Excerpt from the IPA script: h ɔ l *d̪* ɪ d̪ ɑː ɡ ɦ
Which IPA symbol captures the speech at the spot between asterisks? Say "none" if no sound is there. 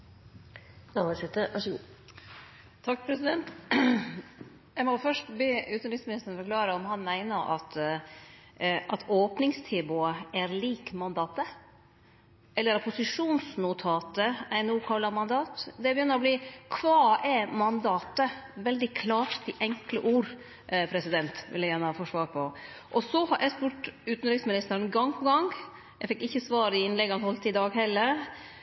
t̪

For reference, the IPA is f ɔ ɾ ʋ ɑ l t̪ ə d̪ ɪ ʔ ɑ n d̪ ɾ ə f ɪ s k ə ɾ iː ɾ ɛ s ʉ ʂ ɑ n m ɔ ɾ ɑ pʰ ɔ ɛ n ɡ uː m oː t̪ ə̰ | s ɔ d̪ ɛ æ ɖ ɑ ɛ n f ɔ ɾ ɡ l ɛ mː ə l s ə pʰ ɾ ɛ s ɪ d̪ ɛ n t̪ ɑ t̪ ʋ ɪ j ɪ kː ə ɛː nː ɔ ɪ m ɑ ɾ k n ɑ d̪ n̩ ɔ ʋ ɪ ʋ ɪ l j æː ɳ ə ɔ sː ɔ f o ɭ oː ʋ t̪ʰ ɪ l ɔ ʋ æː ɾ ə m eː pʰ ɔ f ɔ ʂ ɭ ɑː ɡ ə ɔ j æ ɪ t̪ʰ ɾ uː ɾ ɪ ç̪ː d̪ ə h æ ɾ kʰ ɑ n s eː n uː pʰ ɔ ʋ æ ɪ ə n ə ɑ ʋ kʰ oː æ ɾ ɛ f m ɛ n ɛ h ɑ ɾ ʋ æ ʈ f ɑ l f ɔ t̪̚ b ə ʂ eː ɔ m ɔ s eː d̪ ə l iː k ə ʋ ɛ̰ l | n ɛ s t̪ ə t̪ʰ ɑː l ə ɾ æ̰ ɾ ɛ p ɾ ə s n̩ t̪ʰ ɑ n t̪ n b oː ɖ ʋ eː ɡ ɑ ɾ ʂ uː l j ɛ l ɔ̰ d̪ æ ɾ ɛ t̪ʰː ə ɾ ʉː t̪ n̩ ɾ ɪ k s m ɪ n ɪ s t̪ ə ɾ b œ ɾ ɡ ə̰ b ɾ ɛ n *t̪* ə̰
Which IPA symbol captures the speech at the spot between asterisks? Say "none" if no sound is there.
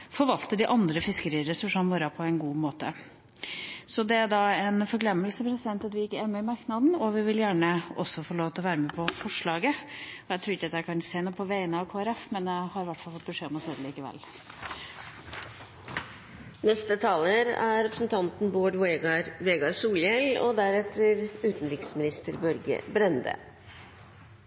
d̪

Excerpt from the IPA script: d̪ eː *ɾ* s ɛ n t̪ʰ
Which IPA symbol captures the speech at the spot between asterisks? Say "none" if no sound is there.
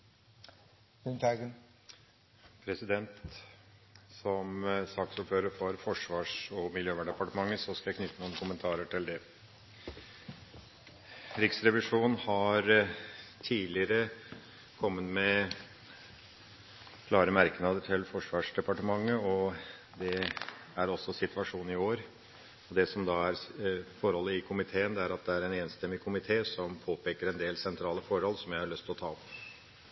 l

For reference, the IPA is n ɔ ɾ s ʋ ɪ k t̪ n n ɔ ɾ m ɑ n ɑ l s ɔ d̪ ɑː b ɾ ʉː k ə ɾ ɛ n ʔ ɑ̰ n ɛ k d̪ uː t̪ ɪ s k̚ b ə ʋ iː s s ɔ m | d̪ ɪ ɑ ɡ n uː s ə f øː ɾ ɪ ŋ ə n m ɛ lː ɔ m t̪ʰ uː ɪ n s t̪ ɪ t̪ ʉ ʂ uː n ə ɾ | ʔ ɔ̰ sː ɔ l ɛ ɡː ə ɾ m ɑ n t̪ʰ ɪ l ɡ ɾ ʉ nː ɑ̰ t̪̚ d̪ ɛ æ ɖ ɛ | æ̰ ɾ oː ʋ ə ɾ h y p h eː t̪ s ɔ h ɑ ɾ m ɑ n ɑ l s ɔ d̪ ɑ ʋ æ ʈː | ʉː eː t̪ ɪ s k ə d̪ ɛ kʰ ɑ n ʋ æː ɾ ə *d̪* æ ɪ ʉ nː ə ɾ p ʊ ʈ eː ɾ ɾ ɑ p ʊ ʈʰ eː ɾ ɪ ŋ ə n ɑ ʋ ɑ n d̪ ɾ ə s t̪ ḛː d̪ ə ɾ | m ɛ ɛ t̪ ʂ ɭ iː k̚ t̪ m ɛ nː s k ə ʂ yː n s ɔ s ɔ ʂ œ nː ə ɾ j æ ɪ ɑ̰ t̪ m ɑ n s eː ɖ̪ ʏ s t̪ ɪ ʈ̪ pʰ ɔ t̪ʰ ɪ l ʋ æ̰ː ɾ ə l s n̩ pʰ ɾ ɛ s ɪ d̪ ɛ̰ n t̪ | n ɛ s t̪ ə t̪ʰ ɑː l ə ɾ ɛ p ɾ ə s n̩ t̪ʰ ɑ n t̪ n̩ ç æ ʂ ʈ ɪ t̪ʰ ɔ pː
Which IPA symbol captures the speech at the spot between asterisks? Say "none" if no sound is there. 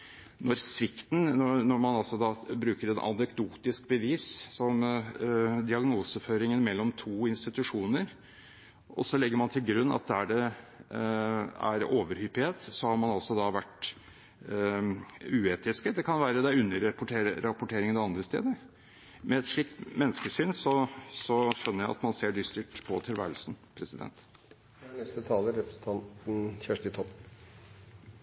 d̪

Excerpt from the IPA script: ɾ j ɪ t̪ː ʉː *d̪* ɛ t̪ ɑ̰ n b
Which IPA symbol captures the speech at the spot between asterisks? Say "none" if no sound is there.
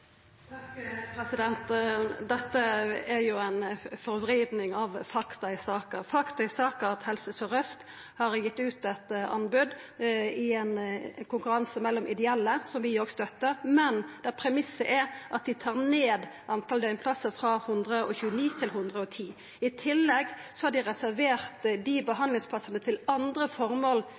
t̪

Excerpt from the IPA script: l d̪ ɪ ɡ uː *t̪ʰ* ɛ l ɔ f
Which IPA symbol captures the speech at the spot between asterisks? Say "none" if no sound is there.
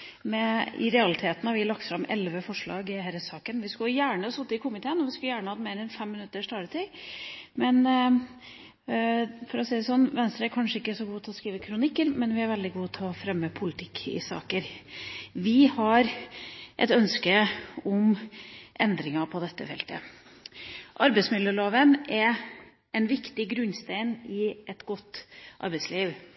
t̪ʰ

